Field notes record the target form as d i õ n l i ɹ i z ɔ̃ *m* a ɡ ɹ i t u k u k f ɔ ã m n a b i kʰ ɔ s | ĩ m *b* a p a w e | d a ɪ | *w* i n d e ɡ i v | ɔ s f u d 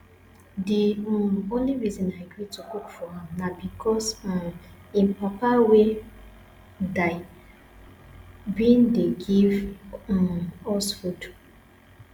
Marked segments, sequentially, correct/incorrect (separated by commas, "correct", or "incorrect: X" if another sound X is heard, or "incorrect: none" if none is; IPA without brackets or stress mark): incorrect: n, incorrect: p, incorrect: b